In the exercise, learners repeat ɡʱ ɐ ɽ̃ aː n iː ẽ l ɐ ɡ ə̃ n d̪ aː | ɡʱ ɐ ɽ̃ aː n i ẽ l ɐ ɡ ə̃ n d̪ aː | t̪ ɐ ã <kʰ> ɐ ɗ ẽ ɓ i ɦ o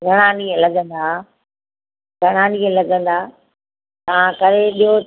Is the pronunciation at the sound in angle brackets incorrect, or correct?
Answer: incorrect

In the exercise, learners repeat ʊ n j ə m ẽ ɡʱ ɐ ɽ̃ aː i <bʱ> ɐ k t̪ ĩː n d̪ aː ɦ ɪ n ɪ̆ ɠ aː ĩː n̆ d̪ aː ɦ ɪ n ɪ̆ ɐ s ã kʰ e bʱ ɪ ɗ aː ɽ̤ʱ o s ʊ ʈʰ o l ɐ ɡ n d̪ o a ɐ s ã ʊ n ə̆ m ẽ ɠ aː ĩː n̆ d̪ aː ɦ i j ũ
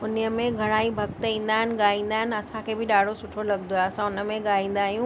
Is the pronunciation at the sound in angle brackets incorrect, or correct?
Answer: correct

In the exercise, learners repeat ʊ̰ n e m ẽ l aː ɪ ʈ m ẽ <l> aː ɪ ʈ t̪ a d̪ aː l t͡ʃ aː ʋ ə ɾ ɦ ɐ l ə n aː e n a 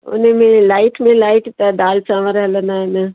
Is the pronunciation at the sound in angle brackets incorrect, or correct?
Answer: correct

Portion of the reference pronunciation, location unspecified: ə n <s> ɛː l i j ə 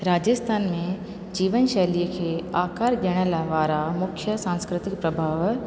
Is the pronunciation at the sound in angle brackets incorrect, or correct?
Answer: incorrect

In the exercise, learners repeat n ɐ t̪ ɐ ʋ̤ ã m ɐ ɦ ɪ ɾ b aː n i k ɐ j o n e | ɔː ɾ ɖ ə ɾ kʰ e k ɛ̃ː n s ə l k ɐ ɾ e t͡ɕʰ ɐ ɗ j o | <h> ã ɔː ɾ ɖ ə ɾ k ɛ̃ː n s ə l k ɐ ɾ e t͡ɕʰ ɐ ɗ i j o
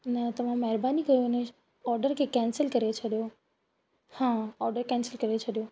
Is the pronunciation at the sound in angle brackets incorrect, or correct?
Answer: correct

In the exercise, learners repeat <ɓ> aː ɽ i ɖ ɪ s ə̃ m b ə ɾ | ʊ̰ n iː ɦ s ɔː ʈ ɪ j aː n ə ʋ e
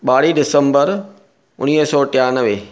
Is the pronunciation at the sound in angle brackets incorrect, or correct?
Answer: correct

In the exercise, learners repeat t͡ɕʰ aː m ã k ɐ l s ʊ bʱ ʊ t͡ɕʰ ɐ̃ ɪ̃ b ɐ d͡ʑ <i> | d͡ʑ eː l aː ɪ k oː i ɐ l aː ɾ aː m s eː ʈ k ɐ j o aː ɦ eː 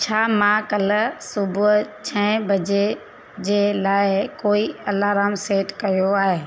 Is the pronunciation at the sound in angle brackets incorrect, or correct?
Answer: incorrect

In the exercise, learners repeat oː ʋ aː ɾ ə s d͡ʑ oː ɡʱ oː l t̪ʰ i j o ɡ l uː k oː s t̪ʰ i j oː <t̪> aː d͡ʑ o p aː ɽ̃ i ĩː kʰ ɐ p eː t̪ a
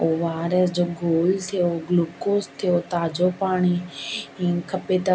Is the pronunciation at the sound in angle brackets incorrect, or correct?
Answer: correct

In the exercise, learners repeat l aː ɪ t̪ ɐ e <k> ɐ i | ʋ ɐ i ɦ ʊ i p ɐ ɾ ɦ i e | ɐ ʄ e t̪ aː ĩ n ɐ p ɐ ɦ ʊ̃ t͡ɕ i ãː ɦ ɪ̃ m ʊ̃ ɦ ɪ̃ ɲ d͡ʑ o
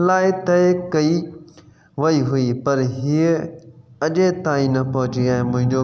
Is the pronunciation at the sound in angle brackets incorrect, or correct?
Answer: correct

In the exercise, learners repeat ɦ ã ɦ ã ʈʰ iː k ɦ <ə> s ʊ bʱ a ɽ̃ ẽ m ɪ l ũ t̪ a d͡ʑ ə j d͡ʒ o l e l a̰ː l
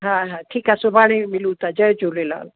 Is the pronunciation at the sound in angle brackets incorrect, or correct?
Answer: incorrect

